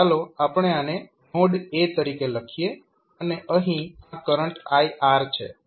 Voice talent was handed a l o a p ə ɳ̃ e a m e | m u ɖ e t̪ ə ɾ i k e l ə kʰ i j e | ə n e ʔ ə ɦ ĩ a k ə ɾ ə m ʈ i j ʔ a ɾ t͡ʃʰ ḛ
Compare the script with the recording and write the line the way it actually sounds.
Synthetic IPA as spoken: a l o a p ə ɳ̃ e a n e | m o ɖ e t̪ ə ɾ i k e l ə kʰ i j e | ə n e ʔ ə ɦ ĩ a k ə ɾ ə ɳ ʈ a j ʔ a ɾ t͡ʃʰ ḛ